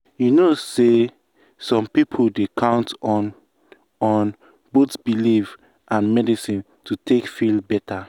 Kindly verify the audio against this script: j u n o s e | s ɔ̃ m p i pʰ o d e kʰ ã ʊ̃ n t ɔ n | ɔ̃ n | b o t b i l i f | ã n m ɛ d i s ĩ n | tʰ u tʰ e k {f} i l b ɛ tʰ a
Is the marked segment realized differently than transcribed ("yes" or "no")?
no